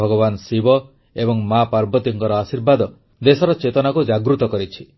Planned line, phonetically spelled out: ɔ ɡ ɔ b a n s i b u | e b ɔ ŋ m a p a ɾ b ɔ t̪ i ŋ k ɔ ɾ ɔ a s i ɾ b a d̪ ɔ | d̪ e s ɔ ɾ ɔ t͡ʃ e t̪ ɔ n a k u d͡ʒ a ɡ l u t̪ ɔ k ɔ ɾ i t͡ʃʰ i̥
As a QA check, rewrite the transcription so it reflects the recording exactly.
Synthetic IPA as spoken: ɔ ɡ ɔ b a n s i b ɔ | e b ɔ ŋ m a p a ɾ b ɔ t̪ i ŋ k ɔ ɾ ɔ a s i ɾ b a d̪ ɔ | d̪ e s ɔ ɾ ɔ t͡ʃ e t̪ ɔ n a k u d͡ʒ a ɡ ɾ u t̪ ɔ k ɔ ɾ i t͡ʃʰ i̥